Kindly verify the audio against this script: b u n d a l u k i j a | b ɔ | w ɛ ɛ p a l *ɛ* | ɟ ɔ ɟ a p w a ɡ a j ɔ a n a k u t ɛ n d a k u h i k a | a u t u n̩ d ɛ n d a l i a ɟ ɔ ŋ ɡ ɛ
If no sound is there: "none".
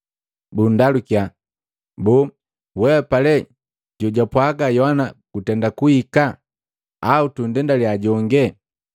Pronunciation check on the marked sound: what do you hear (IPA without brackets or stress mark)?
ɛ